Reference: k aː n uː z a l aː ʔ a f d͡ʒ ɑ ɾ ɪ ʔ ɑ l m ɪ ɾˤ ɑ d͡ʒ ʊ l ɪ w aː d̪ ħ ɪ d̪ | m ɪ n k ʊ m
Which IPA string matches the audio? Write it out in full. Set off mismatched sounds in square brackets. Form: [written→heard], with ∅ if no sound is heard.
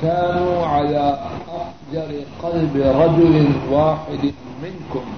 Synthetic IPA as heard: k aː n uː [z→ʕ] a l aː ʔ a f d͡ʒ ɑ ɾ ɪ [ʔ→q] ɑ l [m→b] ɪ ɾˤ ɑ d͡ʒ ʊ l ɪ w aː [d̪→∅] ħ ɪ d̪ | m ɪ n k ʊ m